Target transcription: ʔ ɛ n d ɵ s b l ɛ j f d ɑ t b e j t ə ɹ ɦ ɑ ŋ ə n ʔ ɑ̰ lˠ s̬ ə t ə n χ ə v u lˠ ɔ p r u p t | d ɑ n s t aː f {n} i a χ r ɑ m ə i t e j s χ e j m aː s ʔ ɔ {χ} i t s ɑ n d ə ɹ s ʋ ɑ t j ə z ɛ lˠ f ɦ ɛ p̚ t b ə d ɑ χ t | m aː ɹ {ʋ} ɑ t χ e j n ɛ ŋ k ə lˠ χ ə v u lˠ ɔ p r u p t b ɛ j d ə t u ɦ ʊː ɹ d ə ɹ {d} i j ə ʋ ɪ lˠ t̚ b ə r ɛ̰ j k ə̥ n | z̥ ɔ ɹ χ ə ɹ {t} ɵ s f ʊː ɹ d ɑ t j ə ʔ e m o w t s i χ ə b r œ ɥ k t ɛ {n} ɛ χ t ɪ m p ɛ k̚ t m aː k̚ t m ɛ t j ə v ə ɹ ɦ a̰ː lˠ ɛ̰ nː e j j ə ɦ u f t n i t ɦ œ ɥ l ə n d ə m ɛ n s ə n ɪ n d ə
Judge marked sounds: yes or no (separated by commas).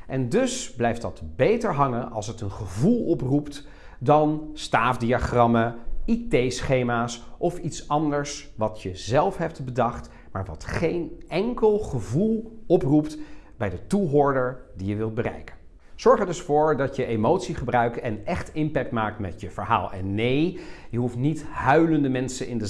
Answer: no, no, yes, yes, no, yes